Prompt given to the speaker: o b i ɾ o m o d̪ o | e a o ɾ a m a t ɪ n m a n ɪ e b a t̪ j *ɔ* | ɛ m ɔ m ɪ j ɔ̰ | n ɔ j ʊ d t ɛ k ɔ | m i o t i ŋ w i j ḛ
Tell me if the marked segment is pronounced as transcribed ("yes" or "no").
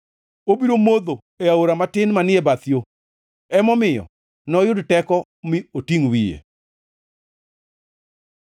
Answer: no